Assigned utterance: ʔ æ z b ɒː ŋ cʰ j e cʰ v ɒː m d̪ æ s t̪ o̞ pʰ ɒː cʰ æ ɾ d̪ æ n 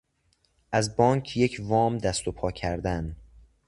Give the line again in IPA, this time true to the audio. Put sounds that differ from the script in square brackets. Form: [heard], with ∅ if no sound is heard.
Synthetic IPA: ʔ æ z b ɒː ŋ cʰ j e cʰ v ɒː m d̪ æ s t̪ o̞ pʰ ɒː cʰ æ ɾ d̪ æ n